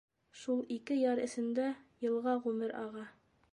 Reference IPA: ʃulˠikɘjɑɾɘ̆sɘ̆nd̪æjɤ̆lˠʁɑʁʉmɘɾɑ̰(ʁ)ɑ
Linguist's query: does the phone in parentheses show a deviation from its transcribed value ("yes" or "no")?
no